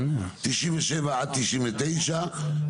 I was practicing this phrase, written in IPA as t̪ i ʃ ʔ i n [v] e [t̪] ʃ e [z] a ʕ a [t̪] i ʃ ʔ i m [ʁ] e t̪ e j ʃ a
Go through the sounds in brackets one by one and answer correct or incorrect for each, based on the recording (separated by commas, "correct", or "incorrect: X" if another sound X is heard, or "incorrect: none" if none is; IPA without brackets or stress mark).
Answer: correct, incorrect: none, incorrect: v, correct, incorrect: v